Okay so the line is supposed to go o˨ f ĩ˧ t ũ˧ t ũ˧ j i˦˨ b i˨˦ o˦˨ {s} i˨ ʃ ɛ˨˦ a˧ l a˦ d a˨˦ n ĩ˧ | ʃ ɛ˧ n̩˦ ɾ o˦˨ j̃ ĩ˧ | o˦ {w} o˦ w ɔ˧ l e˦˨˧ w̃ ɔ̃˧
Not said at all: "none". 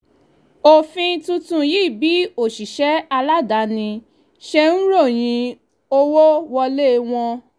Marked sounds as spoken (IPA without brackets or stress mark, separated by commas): ʃ, w